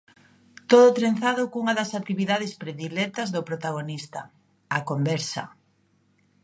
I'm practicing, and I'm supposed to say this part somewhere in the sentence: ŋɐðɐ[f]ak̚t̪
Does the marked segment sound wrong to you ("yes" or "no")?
yes